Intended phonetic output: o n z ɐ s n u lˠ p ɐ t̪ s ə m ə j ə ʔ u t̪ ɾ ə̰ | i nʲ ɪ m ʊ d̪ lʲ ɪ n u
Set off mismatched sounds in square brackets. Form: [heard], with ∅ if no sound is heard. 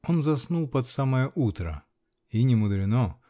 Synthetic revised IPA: o n z ɐ s n u lˠ p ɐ t̪ s [a] m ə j ə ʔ u t̪ ɾ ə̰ | i nʲ ɪ m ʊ d̪ [ɾʲ] ɪ n [o]